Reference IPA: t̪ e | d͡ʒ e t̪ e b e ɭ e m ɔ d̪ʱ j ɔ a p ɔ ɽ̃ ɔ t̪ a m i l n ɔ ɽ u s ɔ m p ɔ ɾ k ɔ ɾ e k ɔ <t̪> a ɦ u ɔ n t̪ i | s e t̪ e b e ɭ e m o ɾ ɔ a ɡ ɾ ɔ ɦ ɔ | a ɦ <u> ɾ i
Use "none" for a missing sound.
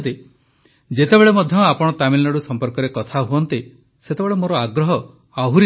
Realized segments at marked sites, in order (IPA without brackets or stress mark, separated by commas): t̪ʰ, u